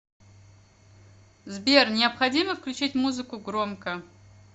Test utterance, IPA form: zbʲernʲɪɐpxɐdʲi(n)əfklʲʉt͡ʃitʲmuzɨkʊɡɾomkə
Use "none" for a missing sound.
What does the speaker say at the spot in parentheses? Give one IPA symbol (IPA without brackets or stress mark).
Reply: m